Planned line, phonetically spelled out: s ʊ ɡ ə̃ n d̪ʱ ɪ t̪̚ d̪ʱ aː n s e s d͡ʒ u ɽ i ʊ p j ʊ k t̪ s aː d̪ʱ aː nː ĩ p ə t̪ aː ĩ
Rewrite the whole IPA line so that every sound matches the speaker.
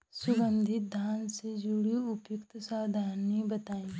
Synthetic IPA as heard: s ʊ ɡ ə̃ n d̪ʱ ɪ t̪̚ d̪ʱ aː n s e d͡ʒ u ɽ i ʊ p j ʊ k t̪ s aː d̪ʱ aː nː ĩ b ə t̪ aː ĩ